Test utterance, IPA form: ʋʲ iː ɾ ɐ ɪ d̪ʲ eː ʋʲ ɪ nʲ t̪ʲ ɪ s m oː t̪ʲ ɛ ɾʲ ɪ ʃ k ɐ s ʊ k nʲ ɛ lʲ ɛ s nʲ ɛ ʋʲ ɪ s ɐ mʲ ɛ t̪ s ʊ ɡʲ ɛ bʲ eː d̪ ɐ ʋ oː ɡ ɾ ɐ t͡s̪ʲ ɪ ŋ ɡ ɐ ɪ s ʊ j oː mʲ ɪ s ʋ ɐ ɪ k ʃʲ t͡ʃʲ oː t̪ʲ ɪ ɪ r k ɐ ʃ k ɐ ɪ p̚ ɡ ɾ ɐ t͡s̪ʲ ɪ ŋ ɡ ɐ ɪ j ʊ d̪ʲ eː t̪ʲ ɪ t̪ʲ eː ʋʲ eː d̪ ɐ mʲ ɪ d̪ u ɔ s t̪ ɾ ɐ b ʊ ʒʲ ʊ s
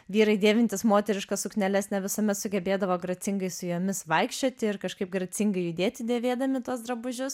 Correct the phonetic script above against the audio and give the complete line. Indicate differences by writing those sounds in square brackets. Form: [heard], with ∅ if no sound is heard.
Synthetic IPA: ʋʲ iː ɾ ɐ ɪ d̪ʲ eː ʋʲ ɪ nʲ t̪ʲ ɪ s m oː t̪ʲ ɛ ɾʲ ɪ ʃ k ɐ s ʊ k nʲ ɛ lʲ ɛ s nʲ ɛ ʋʲ ɪ s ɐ mʲ ɛ t̪ s ʊ ɡʲ ɛ bʲ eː d̪ ɐ ʋ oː ɡ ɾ ɐ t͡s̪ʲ ɪ ŋ ɡ ɐ ɪ s ʊ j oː mʲ ɪ s ʋ ɐ ɪ k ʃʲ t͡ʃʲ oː t̪ʲ ɪ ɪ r k ɐ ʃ k ɐ ɪ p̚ ɡ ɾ ɐ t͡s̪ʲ ɪ ŋ ɡ ɐ ɪ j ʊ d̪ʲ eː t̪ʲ ɪ [d̪ʲ] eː ʋʲ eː d̪ ɐ mʲ ɪ [t̪] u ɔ s [d̪] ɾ ɐ b ʊ ʒʲ ʊ s

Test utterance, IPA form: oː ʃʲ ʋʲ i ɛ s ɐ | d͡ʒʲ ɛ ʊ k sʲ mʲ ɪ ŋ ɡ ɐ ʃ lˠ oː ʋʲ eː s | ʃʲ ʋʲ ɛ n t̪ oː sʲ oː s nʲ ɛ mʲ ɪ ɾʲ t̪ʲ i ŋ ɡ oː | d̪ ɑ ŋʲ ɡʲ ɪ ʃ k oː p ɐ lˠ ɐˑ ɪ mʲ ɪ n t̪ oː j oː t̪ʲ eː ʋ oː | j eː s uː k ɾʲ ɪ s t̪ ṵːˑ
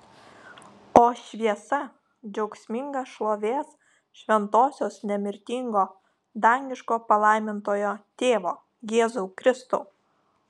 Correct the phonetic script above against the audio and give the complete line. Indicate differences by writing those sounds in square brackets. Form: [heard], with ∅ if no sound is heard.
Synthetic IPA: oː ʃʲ ʋʲ i ɛ s ɐ | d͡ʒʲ ɛ ʊ k sʲ mʲ ɪ ŋ ɡ ɐ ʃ lˠ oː ʋʲ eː s | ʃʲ ʋʲ ɛ n t̪ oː sʲ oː s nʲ ɛ mʲ ɪ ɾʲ t̪ʲ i ŋ ɡ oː | d̪ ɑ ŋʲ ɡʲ ɪ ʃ k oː p ɐ lˠ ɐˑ ɪ mʲ ɪ n t̪ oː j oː t̪ʲ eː ʋ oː | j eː [z] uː k ɾʲ ɪ s t̪ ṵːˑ

